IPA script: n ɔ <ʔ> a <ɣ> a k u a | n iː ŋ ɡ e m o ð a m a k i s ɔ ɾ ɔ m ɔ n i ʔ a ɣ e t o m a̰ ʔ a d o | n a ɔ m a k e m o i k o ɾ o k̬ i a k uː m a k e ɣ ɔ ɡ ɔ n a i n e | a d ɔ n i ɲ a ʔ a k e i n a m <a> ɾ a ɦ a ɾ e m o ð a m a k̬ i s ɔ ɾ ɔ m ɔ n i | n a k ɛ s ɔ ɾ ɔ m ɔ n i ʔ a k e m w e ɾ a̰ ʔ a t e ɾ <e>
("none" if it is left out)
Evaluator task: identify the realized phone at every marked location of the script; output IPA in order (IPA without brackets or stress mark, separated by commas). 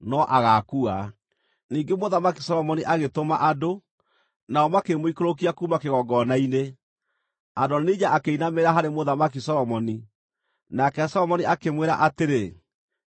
ʔ, ɣ, e, e